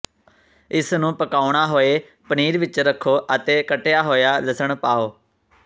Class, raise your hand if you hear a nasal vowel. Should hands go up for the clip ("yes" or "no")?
yes